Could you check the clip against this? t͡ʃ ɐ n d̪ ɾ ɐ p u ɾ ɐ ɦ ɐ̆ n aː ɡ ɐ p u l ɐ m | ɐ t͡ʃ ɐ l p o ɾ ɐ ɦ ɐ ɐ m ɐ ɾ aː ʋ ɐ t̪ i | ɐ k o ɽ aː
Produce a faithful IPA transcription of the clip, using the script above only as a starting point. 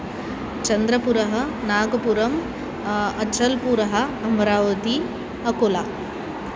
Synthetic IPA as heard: t͡ʃ ɐ n d̪ ɾ ɐ p u ɾ ɐ ɦ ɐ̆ n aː ɡ ɐ p u ɾ ɐ m | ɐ t͡ʃ ɐ l p u ɾ ɐ ɦ ɐ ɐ m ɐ ɾ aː ʋ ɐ t̪ i | ɐ k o l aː